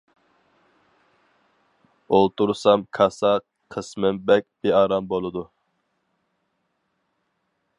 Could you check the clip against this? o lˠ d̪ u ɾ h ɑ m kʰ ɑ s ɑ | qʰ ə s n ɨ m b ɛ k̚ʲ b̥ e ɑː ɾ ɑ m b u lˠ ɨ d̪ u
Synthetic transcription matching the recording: o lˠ t̪ u ɾ s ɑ m kʰ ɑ s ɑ | qʰ ə s m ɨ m b ɛ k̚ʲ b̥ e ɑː ɾ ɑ m b o lˠ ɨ d̪ u